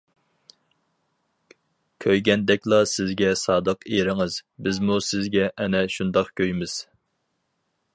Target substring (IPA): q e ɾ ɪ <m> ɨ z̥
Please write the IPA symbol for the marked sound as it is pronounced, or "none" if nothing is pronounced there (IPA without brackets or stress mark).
ŋ